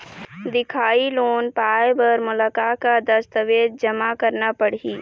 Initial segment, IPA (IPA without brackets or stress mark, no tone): d̪